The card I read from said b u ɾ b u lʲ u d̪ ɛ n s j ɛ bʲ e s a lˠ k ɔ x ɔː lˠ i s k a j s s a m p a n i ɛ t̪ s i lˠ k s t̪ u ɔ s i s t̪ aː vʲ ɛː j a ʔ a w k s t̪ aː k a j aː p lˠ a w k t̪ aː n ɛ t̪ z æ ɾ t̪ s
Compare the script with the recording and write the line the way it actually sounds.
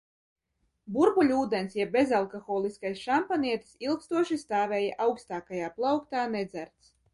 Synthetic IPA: b u ɾ b u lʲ uː d̪ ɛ n s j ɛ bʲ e z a lˠ k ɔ x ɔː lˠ i s k a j s ʃ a m p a n i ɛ t̪ s i lˠ k s t̪ u ɔ ʃ i s t̪ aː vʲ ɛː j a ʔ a w k s t̪ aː k a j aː p lˠ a w k t̪ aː n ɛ d̪ z æ ɾ t̪ s